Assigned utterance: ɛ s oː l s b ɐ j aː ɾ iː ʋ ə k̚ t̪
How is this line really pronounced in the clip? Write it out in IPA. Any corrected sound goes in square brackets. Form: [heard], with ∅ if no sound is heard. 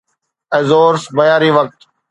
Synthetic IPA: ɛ [z] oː [ɾ] s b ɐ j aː ɾ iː ʋ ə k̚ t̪